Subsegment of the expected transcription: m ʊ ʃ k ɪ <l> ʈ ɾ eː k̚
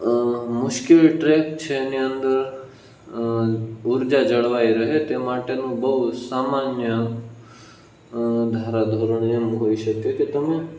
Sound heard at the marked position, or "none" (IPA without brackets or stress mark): l